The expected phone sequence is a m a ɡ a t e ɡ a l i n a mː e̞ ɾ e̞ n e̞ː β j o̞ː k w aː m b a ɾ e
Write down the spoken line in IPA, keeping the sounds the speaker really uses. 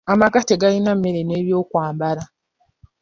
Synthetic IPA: a m a k a t e ɡ a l i n a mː e̞ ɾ e̞ n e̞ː β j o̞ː k w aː m b a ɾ a